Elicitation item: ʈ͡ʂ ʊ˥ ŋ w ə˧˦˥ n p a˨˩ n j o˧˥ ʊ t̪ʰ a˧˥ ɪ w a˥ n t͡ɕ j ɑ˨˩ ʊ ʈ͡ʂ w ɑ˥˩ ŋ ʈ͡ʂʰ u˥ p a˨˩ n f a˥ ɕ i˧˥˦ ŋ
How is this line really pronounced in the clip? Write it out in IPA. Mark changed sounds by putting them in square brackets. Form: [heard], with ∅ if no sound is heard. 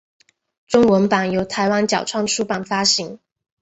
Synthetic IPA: ʈ͡ʂ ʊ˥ ŋ w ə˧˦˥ n p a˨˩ n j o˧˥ ʊ t̪ʰ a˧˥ ɪ w a˥ n t͡ɕ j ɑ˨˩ ʊ [ʈ͡ʂʰ] w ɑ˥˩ ŋ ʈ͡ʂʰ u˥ p a˨˩ n f a˥ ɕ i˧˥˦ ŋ